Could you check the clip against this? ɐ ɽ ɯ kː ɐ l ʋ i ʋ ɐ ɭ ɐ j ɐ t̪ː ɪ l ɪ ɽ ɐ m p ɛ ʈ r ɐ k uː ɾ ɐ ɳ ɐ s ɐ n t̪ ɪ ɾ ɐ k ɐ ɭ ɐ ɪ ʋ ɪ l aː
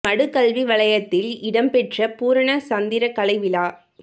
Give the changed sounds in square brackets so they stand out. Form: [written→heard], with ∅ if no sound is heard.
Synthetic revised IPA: ɐ ɽ ɯ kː ɐ l ʋ i ʋ ɐ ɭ ɐ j ɐ t̪ː ɪ l ɪ ɽ ɐ m p ɛ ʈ r ɐ [k→p] uː ɾ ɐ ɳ ɐ s ɐ n [t̪→d̪] ɪ ɾ ɐ k ɐ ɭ ɐ ɪ ʋ ɪ l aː